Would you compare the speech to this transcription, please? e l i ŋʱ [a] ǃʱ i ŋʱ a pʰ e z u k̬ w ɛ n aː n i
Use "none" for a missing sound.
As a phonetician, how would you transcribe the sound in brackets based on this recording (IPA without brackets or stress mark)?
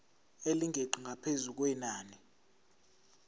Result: e